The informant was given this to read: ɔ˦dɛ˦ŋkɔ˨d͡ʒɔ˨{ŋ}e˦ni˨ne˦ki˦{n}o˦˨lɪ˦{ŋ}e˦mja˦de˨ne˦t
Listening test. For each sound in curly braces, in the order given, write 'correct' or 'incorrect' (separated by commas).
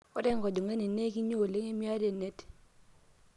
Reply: correct, incorrect, correct